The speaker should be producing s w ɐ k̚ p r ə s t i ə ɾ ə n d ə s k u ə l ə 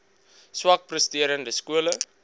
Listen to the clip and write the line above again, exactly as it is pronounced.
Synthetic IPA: s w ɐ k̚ p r ə s t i ə ɾ ə n d ə s k u ə l ə